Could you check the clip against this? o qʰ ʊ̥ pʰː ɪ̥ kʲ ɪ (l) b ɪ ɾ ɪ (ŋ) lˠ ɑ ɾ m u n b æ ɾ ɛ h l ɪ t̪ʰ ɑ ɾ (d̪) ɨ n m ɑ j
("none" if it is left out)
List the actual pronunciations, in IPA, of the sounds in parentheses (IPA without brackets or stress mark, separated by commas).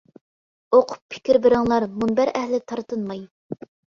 ɾ, ŋ, t̪